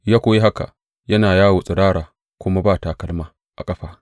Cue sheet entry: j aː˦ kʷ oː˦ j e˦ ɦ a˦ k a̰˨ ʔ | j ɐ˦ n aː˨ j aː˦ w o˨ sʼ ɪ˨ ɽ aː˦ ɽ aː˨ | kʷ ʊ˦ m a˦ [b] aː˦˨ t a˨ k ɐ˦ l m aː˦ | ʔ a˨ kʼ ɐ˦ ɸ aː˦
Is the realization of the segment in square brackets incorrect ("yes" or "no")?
no